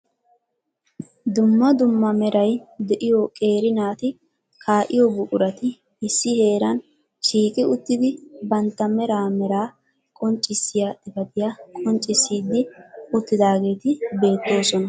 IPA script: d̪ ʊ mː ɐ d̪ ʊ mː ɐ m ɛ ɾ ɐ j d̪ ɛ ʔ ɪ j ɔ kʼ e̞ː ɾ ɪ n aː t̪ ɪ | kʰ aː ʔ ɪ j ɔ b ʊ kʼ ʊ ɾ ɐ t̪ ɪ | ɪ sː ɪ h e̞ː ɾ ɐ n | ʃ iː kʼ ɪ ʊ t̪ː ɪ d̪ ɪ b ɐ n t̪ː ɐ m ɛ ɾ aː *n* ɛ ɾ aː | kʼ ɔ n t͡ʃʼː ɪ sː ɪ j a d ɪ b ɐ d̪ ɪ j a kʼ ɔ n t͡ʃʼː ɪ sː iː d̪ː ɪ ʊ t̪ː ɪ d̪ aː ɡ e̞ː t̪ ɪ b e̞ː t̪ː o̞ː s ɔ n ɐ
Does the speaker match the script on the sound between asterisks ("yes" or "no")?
no